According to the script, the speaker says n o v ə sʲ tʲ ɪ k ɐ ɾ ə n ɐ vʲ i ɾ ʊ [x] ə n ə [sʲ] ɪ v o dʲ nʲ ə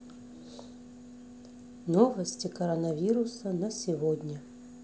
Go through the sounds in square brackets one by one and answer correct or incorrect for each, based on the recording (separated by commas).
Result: incorrect, correct